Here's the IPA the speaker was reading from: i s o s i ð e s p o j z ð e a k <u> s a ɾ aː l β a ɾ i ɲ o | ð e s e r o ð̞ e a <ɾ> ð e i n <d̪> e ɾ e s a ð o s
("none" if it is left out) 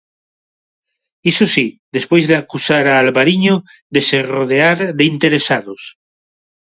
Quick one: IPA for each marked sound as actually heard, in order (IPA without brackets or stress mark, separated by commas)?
u, ɾ, t̪